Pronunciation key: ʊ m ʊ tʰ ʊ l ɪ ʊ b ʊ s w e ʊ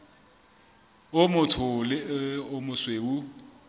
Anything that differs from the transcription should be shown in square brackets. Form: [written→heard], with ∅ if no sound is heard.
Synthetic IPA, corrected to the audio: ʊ m ʊ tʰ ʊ l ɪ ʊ [b→m] ʊ s w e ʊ